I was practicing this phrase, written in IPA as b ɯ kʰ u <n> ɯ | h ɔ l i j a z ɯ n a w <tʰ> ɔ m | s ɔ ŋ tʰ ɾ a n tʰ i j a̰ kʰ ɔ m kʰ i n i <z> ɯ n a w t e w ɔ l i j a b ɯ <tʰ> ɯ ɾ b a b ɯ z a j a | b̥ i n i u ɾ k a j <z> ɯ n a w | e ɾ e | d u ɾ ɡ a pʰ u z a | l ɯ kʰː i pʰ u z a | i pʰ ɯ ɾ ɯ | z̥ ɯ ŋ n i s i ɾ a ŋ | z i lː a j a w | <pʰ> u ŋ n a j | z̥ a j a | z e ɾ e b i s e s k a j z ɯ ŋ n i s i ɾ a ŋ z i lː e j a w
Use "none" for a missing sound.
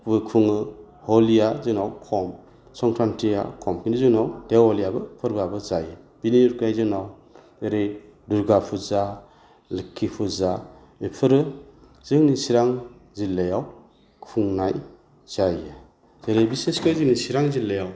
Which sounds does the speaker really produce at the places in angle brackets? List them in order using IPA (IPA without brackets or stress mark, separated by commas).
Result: ŋ, kʰ, z, pʰ, z, kʰ